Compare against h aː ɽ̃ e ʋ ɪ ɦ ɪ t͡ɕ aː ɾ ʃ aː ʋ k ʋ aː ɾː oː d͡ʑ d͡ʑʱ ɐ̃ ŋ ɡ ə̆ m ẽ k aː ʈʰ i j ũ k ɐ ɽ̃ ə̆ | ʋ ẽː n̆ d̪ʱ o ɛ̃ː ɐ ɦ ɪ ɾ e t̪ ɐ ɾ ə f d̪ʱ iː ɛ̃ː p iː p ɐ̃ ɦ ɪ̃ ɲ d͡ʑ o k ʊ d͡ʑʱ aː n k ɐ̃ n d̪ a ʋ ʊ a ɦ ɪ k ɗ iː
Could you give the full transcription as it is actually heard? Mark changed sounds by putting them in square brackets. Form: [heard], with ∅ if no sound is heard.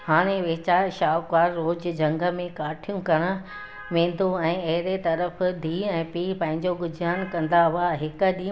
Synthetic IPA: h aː ɽ̃ e ʋ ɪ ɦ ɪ t͡ɕ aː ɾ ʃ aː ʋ k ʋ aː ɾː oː d͡ʑ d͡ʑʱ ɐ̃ ŋ ɡ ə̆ m ẽ k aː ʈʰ i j ũ k ɐ ɽ̃ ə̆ | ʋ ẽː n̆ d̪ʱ o ɛ̃ː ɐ ɦ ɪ ɾ e t̪ ɐ ɾ ə f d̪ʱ iː ɛ̃ː p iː p ɐ̃ ɦ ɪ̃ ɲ d͡ʑ o [ɡ] ʊ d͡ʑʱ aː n k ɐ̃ n d̪ a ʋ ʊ a ɦ ɪ k ɗ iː

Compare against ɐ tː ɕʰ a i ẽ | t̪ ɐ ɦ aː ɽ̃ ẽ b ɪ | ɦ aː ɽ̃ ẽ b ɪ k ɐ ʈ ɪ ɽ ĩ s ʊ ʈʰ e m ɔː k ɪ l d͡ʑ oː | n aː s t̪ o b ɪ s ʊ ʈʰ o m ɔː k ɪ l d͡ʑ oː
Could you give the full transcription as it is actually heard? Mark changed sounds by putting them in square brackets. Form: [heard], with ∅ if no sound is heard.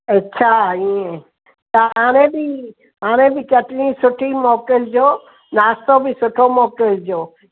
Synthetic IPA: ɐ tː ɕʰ a i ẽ | t̪ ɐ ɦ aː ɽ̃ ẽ b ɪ | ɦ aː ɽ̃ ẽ b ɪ k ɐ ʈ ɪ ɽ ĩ s ʊ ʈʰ [i] m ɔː k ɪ l d͡ʑ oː | n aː s t̪ o b ɪ s ʊ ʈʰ o m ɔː k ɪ l d͡ʑ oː

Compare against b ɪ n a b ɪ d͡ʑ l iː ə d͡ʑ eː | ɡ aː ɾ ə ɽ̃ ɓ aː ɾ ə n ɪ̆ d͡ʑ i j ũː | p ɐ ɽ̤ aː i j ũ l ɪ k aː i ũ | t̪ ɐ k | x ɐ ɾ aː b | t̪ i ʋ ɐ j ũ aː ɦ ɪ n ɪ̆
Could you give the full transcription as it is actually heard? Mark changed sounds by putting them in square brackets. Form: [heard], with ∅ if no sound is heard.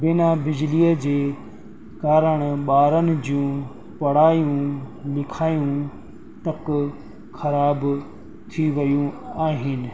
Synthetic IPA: b ɪ n a b ɪ d͡ʑ l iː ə d͡ʑ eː | [k] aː ɾ ə ɽ̃ ɓ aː ɾ ə n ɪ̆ d͡ʑ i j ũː | p ɐ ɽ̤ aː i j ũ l ɪ [kʰ] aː [j] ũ | t̪ ɐ k | x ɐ ɾ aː b | [t̪ʰ] i ʋ ɐ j ũ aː ɦ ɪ n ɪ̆

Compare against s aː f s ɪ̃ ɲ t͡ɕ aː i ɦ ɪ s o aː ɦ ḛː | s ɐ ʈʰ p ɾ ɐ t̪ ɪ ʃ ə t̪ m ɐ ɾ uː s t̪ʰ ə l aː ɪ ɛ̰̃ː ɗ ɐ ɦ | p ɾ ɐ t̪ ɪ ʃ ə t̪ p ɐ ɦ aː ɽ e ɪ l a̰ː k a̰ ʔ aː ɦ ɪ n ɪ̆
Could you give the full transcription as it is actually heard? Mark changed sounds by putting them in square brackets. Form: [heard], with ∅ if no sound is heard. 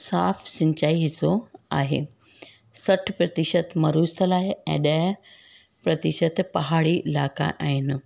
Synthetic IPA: s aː f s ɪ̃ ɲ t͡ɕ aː i ɦ ɪ s o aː ɦ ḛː | s ɐ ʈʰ p ɾ ɐ t̪ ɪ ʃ ə t̪ m ɐ ɾ uː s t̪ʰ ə l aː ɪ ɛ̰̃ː ɗ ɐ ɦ | p ɾ ɐ t̪ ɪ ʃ ə t̪ p ɐ ɦ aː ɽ [i] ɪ l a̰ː k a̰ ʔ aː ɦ ɪ n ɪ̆

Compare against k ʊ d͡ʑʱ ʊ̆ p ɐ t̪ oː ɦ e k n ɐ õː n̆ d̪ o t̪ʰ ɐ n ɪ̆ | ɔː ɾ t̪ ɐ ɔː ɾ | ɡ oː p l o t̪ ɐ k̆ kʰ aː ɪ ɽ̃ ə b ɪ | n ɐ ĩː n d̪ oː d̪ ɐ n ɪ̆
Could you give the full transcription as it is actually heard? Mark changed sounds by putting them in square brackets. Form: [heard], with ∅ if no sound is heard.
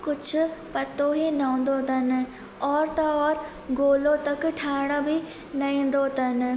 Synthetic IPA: k ʊ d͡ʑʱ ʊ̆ p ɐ t̪ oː ɦ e [∅] n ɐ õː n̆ d̪ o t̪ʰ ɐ n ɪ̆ | ɔː ɾ t̪ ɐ ɔː ɾ | ɡ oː [∅] l o t̪ ɐ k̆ [ʈʰ] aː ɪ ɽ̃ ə b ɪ | n ɐ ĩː n d̪ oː [t̪] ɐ n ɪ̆

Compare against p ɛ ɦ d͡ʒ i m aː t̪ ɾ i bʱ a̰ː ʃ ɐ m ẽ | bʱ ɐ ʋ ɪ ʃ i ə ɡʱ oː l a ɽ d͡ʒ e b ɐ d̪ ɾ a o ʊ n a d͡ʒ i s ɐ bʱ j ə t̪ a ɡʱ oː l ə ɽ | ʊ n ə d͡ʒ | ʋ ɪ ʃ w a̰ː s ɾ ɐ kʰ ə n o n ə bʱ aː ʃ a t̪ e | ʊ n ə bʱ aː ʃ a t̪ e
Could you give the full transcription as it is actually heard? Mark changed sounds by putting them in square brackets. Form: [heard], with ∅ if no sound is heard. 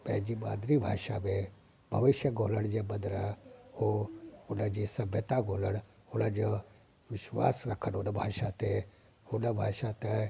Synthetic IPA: p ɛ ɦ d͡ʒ i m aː [d̪] ɾ i bʱ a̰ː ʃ [a] m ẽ | bʱ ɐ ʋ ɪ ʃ [j] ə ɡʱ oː l [ə] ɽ d͡ʒ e b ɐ d̪ ɾ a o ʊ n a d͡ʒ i s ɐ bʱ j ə t̪ a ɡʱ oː l ə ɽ | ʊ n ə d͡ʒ | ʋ ɪ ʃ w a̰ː s ɾ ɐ kʰ ə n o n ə bʱ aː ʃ a t̪ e | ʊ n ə bʱ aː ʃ a t̪ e

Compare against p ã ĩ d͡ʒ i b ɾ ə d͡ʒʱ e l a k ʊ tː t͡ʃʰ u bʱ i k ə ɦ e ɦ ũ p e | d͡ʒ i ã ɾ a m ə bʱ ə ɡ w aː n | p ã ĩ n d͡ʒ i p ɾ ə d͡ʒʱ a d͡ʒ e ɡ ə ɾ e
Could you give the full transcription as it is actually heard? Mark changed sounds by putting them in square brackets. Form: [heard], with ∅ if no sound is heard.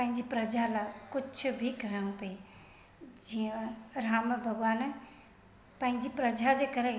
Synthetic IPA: p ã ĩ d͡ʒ i [p] ɾ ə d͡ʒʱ [a] l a k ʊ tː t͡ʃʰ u bʱ i k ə ɦ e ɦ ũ p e | d͡ʒ i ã ɾ a m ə bʱ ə ɡ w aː n | p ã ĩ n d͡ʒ i p ɾ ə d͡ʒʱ a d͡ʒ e [k] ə ɾ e

